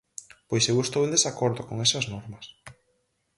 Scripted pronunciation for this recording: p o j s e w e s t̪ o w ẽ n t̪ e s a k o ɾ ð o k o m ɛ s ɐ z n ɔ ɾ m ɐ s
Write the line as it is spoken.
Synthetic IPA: p o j s e w e s t̪ o w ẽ n d̪ e s a k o ɾ ð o k o ŋ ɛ s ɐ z n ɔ ɾ m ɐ s

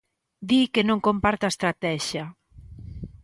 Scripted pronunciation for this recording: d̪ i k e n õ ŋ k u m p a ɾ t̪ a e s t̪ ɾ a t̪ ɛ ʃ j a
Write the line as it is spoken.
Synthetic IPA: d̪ i k e n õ ŋ k o m p a ɾ t̪ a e s t̪ ɾ a t̪ ɛ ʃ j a

